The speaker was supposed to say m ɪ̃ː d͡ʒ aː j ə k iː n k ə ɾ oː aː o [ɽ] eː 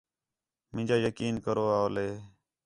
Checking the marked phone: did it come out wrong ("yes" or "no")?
yes